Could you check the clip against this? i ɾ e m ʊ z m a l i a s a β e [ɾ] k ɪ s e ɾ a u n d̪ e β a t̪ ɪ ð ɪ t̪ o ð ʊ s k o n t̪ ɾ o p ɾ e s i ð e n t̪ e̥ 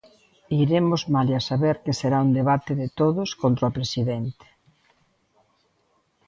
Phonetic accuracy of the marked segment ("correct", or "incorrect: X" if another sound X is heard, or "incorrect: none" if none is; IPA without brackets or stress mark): correct